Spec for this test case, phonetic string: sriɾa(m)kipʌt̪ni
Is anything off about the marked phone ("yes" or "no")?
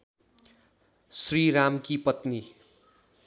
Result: no